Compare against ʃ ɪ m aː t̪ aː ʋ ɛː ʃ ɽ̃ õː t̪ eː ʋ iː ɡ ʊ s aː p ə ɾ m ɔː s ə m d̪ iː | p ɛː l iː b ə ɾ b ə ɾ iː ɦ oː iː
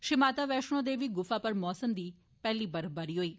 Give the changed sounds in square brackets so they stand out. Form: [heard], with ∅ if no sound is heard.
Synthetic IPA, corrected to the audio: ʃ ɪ m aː t̪ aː ʋ ɛː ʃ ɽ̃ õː [d̪] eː ʋ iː ɡ ʊ [f] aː p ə ɾ m ɔː s ə m d̪ iː | p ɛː l iː b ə ɾ b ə ɾ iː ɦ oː iː